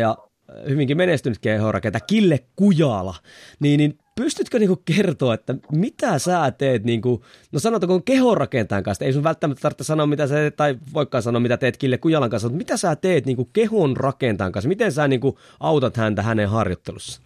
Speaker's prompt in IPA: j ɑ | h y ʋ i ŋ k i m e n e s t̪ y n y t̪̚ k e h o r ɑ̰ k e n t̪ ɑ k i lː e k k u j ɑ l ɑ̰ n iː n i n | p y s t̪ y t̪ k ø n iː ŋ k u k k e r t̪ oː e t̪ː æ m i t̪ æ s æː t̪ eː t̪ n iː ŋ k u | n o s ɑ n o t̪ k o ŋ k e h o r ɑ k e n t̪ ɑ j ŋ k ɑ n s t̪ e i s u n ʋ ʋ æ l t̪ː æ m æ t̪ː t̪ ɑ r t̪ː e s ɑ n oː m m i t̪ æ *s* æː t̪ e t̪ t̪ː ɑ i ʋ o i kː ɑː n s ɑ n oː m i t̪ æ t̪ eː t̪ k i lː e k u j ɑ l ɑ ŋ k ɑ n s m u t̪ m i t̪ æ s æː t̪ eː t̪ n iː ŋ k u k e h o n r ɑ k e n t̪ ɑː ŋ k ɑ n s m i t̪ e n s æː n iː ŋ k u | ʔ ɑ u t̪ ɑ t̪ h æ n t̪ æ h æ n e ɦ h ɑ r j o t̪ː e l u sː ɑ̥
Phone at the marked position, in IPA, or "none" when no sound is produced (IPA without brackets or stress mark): s